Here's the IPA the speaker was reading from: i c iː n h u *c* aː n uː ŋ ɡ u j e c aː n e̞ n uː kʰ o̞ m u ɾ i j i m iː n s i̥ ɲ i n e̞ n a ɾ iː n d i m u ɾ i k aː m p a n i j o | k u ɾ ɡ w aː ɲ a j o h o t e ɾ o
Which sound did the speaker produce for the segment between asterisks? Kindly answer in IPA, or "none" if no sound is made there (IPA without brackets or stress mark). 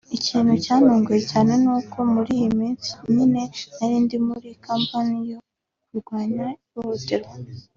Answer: c